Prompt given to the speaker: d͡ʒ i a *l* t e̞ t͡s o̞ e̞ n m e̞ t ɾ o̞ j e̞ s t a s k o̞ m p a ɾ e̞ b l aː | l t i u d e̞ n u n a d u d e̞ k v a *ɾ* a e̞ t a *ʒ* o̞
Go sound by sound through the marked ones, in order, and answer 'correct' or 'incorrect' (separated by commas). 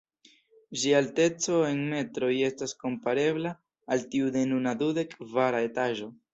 correct, correct, correct